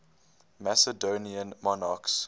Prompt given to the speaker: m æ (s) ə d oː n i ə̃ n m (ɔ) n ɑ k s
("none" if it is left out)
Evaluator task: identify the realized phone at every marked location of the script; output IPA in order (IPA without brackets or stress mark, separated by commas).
s, ɔ